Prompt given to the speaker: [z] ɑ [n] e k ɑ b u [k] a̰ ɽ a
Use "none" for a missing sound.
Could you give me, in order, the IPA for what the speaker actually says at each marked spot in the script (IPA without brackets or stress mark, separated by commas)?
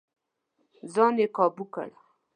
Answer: z, n, k